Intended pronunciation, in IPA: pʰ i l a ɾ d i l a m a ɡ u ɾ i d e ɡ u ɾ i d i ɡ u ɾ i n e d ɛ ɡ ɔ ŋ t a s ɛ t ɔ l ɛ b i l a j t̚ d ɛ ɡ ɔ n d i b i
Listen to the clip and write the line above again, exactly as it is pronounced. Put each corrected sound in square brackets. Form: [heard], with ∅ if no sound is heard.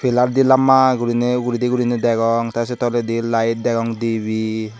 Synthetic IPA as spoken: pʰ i l a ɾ d i l a m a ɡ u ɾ i [n] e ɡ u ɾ i d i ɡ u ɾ i n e d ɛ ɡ ɔ ŋ t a s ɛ t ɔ l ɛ [d] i l a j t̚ d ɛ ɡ ɔ [ŋ] d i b i